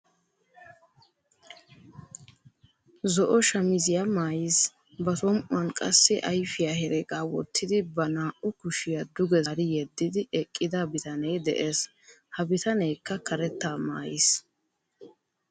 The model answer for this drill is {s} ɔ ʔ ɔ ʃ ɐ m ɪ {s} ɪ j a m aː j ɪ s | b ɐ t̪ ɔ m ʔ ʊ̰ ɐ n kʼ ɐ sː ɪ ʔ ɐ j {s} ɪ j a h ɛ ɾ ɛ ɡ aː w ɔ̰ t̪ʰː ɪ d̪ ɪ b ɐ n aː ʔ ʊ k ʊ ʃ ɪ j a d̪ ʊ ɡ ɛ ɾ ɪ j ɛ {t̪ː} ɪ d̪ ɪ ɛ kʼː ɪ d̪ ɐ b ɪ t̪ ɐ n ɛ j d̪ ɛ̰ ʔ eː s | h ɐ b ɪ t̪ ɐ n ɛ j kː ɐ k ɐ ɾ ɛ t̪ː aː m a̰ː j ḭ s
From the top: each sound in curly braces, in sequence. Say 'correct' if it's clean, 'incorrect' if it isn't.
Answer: incorrect: z, incorrect: z, incorrect: f, incorrect: d̪ː

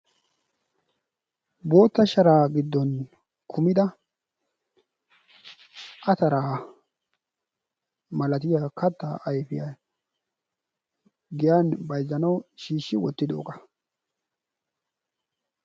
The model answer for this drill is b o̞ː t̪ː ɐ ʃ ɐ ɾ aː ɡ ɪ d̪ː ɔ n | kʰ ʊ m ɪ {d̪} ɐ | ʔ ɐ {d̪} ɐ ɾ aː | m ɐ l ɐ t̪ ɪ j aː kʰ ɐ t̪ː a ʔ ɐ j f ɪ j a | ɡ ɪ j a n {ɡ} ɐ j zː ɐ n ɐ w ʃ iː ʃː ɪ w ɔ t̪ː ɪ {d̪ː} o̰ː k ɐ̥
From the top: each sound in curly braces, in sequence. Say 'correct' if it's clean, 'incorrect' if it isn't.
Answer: correct, incorrect: t̪, incorrect: b, incorrect: d̪

